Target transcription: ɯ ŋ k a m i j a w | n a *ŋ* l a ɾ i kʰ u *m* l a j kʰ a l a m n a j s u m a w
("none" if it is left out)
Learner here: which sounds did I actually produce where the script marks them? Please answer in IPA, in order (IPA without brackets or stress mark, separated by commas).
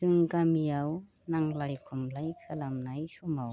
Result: ŋ, m